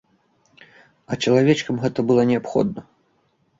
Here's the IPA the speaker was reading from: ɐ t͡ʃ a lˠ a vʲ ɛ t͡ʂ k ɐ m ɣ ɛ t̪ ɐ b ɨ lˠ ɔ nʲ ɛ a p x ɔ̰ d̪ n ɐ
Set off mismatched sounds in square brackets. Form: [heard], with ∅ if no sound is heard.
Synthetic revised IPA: ɐ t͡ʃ [ɐ] lˠ a vʲ ɛ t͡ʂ k ɐ m ɣ ɛ t̪ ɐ b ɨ lˠ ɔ nʲ ɛ a p x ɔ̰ d̪ n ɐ